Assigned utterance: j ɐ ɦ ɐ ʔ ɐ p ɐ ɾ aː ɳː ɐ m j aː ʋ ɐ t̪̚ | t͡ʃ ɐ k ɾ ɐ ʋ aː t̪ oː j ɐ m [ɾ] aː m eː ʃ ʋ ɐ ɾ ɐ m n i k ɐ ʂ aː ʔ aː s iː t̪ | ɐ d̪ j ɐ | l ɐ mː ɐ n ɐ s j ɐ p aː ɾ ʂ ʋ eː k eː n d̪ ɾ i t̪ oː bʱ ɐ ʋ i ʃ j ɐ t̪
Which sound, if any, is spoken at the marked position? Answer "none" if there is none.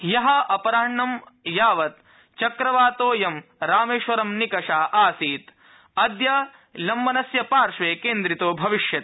ɾ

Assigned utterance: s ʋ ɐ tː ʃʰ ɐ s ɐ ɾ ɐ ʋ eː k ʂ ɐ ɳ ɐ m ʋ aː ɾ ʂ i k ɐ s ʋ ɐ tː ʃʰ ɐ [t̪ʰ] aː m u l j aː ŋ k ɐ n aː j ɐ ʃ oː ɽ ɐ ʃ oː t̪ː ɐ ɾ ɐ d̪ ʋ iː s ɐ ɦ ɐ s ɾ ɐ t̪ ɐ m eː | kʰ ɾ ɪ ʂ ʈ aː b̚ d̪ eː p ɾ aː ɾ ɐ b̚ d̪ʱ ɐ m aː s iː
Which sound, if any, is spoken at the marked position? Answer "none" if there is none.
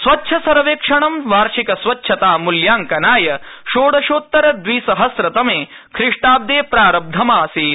t̪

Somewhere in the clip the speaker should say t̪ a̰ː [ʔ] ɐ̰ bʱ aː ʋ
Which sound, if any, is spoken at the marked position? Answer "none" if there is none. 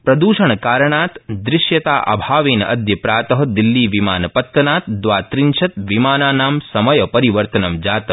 ʔ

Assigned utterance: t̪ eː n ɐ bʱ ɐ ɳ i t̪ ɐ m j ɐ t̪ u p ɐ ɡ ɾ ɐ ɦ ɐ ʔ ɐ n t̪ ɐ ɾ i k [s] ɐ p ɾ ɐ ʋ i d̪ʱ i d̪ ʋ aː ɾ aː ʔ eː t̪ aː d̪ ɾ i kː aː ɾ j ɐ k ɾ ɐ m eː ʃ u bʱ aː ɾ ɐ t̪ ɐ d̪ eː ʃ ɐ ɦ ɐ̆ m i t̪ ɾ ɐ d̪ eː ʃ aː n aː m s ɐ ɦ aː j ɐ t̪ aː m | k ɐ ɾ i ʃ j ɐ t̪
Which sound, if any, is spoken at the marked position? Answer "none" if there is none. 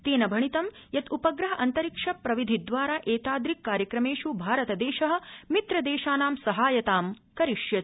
ʂ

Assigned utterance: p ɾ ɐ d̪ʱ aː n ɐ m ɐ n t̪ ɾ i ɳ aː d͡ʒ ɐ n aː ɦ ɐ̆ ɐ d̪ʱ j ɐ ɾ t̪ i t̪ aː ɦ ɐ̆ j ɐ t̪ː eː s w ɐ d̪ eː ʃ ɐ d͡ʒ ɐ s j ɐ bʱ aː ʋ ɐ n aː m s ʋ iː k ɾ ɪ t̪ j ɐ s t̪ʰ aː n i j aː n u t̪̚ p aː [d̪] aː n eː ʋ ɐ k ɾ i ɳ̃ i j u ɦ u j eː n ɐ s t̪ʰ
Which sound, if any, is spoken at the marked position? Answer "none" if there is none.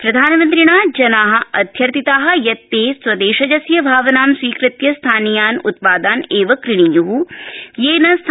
d̪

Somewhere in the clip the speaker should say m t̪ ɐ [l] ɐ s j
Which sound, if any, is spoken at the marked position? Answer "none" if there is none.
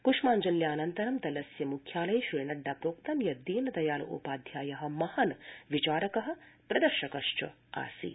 l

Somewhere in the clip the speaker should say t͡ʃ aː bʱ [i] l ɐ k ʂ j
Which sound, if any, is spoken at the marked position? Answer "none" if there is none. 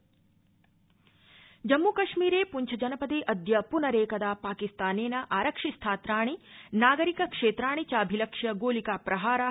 i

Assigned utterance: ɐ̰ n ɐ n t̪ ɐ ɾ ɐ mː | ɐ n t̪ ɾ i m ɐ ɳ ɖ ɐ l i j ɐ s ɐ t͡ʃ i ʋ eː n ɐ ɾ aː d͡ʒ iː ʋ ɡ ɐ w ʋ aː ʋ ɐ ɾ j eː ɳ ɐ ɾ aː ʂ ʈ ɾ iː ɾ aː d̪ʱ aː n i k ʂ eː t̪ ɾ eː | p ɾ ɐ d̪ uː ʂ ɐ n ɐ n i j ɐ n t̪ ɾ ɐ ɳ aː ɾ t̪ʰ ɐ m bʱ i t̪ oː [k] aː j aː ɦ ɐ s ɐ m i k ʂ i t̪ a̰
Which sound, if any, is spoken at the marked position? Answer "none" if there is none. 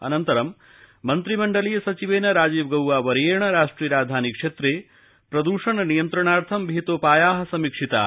p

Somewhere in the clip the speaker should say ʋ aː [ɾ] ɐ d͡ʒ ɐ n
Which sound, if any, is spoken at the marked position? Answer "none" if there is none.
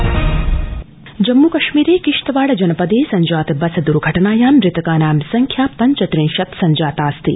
ɽ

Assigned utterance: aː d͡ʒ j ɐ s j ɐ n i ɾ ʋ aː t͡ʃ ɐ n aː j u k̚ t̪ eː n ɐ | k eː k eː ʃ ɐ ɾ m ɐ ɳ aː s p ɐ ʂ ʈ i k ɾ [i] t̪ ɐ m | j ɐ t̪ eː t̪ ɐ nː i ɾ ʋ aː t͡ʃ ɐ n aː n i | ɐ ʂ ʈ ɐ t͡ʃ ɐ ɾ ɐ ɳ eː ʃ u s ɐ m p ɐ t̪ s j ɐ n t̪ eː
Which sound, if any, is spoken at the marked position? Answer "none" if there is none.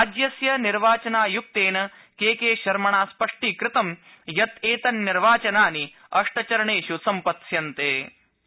ɪ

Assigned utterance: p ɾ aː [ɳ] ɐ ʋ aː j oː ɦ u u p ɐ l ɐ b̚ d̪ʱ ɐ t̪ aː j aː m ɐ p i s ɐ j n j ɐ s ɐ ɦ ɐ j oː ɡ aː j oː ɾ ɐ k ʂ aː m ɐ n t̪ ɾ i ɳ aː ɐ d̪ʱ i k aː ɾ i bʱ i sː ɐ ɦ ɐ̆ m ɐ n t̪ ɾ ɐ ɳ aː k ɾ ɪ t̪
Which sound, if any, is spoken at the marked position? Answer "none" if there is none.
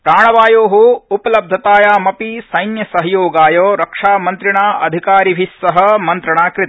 ɳ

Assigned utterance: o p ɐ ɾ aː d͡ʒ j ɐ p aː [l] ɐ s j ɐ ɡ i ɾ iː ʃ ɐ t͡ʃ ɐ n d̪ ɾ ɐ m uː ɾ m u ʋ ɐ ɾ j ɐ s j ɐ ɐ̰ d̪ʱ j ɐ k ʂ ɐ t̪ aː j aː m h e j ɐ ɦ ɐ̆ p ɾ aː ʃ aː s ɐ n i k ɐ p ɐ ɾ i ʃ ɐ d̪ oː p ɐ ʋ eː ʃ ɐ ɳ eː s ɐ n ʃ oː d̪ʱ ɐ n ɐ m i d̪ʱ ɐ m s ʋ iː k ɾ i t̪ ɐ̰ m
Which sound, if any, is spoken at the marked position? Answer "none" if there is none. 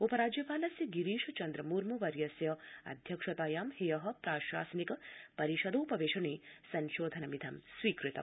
l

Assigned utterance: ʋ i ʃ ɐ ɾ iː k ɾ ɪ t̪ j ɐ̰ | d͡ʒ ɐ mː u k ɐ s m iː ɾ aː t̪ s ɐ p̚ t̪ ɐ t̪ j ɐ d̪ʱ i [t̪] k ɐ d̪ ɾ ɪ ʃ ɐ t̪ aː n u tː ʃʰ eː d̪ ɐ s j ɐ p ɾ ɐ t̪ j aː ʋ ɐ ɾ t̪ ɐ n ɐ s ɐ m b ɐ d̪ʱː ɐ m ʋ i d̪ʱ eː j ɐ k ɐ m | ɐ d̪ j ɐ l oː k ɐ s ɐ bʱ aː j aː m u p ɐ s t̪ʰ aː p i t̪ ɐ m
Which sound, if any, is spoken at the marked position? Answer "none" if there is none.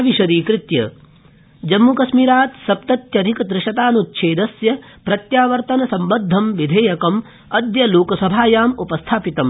none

